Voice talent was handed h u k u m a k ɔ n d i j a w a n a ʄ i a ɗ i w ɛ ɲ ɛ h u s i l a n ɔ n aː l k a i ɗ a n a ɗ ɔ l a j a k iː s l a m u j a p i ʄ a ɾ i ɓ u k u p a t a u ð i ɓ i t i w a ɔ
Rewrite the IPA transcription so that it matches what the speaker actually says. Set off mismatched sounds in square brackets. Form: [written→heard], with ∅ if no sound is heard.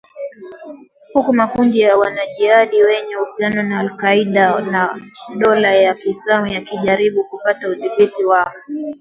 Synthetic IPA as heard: h u k u m a k [ɔ→u] n d i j a w a n a ʄ i a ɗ i w ɛ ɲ ɛ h u s i [l→∅] a n ɔ n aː l k a i ɗ a n a ɗ ɔ l a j a k iː s l a m u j a [p→k] i ʄ a ɾ i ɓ u k u p a t a u ð i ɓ i t i w a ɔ